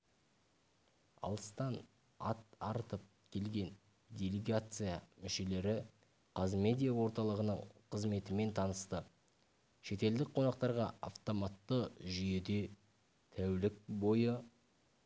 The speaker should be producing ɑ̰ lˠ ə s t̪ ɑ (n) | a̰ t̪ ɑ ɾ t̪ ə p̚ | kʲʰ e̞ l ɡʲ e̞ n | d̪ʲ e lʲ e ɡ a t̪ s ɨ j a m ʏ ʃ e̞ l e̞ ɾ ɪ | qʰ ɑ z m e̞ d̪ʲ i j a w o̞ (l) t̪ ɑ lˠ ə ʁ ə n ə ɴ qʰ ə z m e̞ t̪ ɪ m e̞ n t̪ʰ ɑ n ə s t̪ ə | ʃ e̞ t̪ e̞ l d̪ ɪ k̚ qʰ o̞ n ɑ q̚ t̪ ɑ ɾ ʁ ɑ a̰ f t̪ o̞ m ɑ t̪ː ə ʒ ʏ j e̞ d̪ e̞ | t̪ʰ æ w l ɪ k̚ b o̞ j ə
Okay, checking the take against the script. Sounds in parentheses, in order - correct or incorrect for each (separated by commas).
correct, incorrect